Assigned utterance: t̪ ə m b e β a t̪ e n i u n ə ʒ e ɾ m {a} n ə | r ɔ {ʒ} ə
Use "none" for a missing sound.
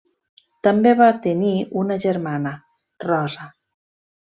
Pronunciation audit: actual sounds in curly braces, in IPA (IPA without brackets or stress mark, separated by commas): a, z